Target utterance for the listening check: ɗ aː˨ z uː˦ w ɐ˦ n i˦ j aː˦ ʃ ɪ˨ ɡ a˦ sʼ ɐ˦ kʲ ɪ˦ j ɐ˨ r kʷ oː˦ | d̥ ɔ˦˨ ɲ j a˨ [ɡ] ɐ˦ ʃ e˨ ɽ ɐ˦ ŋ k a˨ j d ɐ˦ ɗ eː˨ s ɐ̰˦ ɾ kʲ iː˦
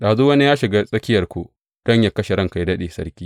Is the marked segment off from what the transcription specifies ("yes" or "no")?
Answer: yes